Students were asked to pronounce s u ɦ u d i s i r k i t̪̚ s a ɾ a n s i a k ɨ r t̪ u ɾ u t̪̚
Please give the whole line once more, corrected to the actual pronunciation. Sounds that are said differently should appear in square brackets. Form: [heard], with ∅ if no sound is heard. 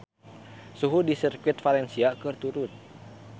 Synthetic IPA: s u ɦ u d i s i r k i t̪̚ [f] a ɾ [ɛ] n s i a k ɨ r t̪ u ɾ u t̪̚